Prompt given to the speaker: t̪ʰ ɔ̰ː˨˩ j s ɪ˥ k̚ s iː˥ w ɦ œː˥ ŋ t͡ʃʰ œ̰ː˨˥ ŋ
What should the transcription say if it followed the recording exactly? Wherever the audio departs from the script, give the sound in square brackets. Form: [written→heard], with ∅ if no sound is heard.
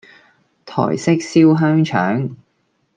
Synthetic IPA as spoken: t̪ʰ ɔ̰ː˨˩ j s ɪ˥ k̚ s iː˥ w ɦ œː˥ ŋ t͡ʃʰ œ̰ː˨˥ ŋ